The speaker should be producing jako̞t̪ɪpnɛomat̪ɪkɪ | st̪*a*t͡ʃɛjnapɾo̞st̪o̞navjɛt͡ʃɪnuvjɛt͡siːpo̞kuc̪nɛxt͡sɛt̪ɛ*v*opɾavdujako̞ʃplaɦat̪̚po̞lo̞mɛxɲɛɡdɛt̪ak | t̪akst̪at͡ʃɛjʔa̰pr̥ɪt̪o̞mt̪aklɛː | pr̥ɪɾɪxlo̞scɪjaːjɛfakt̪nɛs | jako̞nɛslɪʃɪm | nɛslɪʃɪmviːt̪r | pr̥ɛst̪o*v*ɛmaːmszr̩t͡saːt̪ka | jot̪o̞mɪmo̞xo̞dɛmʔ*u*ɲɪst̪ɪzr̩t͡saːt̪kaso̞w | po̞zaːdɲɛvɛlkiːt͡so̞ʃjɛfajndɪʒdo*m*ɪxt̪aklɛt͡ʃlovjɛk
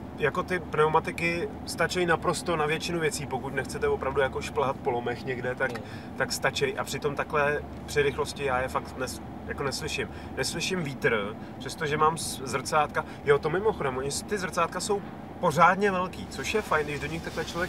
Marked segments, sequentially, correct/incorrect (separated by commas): correct, correct, incorrect, incorrect, incorrect